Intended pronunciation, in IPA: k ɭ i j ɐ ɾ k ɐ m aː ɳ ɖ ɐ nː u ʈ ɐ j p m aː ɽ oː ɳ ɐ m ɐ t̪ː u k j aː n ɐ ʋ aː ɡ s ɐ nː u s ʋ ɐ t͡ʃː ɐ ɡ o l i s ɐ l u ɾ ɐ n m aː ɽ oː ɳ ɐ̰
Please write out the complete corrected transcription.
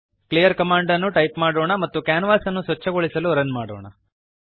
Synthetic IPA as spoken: k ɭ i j ɐ ɾ k ɐ m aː ɳ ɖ ɐ nː u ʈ ɐ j p m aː ɽ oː ɳ ɐ m ɐ t̪ː u k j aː n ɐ ʋ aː s ɐ nː u s ʋ ɐ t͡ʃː ɐ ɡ o ɭ i s ɐ l u ɾ ɐ n m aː ɽ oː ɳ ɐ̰